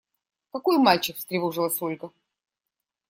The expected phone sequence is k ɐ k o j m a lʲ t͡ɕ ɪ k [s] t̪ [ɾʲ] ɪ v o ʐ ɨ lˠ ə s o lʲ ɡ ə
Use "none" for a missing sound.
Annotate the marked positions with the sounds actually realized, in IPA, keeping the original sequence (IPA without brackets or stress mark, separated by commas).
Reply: s, ɾʲ